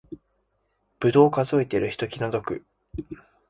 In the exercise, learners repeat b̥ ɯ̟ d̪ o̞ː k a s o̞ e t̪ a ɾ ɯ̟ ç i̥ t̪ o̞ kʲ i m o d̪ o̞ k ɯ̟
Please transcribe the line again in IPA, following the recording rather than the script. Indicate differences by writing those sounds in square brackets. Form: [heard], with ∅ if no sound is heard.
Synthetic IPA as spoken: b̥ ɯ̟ d̪ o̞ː k a [z] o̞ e t̪ [e] ɾ ɯ̟ ç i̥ t̪ o̞ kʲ i [n] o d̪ o̞ k ɯ̟